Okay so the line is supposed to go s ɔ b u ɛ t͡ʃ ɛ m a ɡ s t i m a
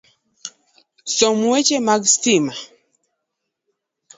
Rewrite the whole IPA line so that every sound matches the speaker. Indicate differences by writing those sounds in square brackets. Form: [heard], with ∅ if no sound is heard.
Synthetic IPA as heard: s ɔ [m] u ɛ t͡ʃ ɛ m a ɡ s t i m a